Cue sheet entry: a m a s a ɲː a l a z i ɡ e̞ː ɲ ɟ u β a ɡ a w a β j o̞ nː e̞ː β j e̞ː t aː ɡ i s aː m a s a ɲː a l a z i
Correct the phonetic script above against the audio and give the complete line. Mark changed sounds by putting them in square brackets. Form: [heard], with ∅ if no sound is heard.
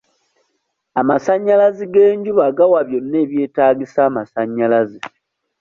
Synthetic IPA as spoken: a m a s a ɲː a l a z i ɡ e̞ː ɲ ɟ u β a ɡ a w a β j o̞ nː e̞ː β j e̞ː t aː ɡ i s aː m a s a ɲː a l a z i